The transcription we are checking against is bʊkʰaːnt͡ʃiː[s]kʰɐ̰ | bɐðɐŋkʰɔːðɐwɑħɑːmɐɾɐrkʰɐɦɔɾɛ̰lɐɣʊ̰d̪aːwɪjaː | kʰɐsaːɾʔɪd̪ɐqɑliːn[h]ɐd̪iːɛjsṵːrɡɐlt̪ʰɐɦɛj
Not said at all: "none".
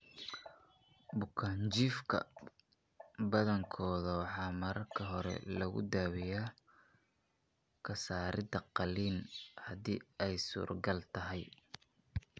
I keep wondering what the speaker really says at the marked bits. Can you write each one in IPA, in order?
f, h

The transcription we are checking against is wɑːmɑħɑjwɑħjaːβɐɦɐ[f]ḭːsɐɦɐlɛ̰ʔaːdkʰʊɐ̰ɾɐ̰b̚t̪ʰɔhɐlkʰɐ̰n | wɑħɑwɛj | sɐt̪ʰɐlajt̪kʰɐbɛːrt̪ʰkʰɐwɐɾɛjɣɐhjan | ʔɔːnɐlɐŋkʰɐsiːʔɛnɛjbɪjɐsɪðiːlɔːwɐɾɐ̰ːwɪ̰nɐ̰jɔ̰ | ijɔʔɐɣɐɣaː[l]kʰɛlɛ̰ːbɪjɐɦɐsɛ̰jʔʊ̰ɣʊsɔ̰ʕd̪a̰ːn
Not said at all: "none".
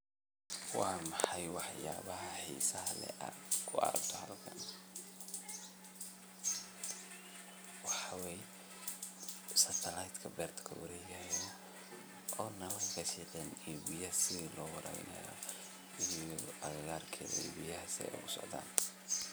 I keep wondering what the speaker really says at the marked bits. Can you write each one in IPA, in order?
ħ, r

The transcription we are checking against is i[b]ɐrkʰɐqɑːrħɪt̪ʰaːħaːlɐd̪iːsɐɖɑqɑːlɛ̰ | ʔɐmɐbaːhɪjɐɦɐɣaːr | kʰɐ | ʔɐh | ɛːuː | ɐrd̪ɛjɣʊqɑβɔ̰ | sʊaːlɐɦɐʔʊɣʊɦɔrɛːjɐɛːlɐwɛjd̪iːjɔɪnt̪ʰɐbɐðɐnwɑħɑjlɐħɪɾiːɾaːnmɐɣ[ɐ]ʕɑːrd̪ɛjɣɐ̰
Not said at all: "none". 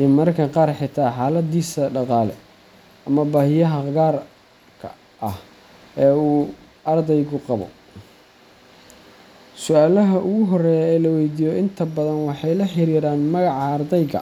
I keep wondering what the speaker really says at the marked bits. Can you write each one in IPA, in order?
m, ɑ

